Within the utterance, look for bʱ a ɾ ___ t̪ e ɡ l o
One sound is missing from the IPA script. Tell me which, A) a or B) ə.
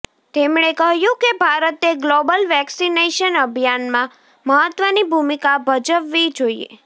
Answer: B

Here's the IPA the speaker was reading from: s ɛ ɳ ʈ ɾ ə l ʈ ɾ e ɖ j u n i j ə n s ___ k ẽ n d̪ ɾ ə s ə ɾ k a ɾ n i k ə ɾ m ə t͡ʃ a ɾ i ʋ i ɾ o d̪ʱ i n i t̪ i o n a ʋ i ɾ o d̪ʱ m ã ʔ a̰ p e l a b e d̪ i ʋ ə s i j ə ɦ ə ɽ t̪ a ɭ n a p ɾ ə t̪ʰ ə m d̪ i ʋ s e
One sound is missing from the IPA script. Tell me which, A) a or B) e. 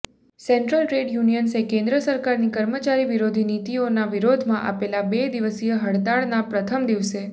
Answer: B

